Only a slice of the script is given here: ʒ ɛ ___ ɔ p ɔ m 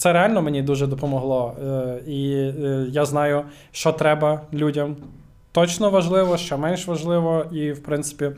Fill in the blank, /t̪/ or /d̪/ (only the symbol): d̪